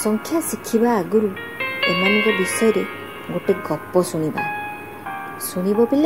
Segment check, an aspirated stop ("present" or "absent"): present